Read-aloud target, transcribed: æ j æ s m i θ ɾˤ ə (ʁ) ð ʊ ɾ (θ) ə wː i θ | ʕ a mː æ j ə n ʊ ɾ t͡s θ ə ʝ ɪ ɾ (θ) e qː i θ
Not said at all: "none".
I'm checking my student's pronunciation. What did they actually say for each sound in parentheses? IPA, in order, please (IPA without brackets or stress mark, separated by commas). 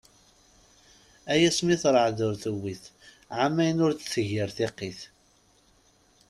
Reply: ʕ, θ, θ